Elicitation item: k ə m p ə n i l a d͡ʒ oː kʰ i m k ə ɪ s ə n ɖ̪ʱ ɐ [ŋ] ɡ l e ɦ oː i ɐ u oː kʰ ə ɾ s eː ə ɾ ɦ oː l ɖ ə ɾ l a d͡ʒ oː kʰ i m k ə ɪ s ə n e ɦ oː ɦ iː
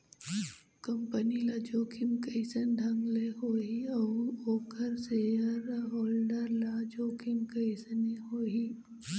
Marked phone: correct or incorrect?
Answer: correct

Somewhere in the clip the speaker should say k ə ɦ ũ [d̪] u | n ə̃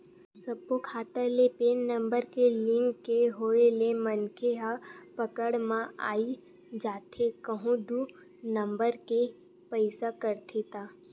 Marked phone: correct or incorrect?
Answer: correct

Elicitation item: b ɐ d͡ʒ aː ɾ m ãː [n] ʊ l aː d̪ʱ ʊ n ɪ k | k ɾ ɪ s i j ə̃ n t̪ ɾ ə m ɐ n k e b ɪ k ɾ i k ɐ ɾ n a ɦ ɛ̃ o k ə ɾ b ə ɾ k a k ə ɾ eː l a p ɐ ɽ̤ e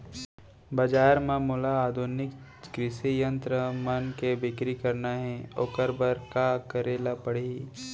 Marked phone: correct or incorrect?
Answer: incorrect: m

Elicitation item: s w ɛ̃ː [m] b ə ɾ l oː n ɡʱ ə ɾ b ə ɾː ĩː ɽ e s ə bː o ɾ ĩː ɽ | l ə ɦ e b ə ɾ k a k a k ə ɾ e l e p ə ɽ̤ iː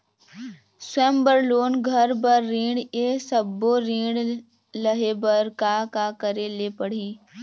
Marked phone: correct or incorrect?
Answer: correct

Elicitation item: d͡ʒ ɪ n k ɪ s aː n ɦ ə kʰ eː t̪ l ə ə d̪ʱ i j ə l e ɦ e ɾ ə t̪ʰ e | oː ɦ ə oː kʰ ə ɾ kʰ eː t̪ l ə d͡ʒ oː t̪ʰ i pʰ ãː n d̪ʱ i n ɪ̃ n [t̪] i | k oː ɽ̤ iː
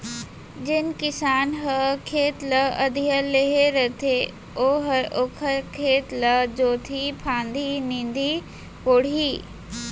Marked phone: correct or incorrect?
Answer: incorrect: d̪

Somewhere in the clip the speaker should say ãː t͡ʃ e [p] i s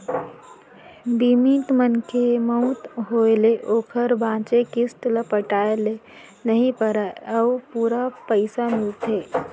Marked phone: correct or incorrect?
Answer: incorrect: k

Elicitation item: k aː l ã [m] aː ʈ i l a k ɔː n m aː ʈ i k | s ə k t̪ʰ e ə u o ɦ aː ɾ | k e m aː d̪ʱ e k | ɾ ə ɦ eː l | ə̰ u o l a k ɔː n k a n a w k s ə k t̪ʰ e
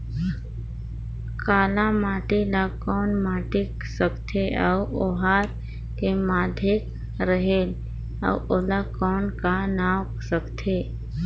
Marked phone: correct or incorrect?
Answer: correct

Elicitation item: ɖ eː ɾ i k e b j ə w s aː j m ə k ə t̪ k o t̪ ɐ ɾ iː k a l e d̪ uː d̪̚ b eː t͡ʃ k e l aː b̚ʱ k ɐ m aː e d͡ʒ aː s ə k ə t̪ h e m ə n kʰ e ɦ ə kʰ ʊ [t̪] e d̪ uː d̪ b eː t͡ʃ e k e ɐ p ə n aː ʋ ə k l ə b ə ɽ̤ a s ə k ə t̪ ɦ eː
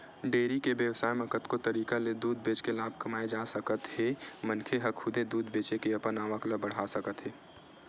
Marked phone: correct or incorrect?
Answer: incorrect: d̪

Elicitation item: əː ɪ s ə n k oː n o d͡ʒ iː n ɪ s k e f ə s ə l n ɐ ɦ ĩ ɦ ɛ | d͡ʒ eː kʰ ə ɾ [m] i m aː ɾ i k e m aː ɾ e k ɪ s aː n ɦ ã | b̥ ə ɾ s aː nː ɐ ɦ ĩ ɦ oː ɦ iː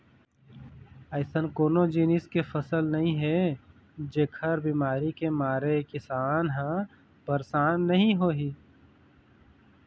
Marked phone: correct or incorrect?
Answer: incorrect: b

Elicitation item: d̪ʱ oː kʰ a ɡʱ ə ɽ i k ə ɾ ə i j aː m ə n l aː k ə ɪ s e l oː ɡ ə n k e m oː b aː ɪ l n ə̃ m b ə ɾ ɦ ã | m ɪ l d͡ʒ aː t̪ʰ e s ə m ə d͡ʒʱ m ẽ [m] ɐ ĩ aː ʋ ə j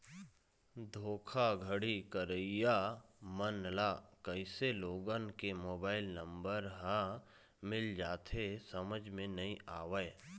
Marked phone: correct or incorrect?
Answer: incorrect: n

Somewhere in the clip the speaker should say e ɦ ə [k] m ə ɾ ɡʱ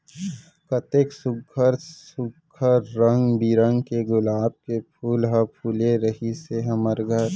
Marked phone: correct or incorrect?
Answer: incorrect: none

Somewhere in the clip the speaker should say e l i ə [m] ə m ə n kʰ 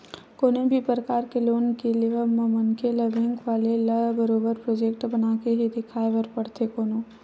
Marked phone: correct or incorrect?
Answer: correct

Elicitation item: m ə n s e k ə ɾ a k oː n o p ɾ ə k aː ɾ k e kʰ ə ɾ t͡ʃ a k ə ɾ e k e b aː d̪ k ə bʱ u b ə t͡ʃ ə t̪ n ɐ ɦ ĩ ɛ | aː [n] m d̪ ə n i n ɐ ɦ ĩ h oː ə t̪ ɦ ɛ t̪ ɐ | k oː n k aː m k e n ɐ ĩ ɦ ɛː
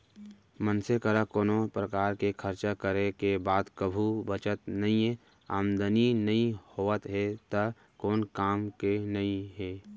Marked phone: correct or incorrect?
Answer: incorrect: none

